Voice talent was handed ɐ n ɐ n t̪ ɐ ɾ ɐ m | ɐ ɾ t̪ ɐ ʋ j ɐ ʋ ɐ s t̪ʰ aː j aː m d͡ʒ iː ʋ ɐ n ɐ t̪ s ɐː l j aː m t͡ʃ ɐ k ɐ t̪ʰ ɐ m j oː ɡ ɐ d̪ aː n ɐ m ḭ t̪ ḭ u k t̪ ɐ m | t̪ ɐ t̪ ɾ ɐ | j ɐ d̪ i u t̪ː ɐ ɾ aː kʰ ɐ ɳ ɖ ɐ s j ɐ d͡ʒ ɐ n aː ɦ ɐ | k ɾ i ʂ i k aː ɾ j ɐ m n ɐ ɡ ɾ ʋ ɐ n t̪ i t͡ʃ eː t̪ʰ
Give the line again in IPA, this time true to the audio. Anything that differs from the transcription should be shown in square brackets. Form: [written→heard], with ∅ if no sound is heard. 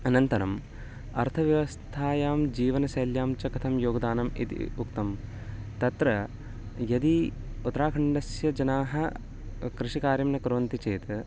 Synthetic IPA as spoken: ɐ n ɐ n t̪ ɐ ɾ ɐ m | ɐ ɾ [t̪→t̪ʰ] ɐ ʋ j ɐ ʋ ɐ s t̪ʰ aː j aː m d͡ʒ iː ʋ ɐ n ɐ [t̪→∅] s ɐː l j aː m t͡ʃ ɐ k ɐ t̪ʰ ɐ m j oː ɡ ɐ d̪ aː n ɐ m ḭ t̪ ḭ u k t̪ ɐ m | t̪ ɐ t̪ ɾ ɐ | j ɐ d̪ i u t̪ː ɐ ɾ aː kʰ ɐ ɳ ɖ ɐ s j ɐ d͡ʒ ɐ n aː ɦ ɐ | k ɾ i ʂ i k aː ɾ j ɐ m n ɐ [ɡ→k] ɾ ʋ ɐ n t̪ i t͡ʃ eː [t̪ʰ→t̪]